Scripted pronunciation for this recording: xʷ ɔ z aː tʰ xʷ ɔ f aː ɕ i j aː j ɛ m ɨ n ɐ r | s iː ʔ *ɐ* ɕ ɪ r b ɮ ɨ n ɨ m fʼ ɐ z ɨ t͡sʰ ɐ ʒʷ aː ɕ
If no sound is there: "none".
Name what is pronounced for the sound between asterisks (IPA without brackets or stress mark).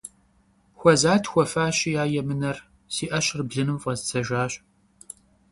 ɐ